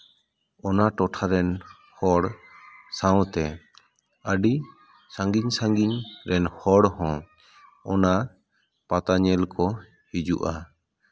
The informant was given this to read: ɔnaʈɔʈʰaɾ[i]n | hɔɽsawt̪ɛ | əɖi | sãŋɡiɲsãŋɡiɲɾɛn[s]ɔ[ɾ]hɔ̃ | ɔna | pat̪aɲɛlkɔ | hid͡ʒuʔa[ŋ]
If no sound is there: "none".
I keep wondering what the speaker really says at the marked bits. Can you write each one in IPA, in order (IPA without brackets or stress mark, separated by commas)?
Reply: ɛ, h, ɽ, none